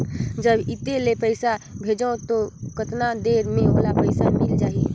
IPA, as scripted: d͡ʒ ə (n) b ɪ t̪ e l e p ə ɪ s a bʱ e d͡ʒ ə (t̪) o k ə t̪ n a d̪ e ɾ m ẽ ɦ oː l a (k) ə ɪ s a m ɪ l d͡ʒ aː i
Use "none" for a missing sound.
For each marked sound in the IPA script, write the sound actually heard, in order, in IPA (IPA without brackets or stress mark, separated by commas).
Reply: none, t̪, p